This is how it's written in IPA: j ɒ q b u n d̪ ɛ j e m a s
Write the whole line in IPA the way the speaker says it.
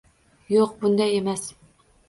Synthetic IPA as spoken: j o q b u n d̪ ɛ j e m ɛ s